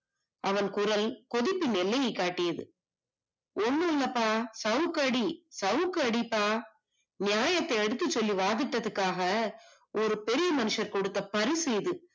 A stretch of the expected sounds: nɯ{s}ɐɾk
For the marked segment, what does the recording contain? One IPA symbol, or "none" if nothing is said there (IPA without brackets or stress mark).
ʂ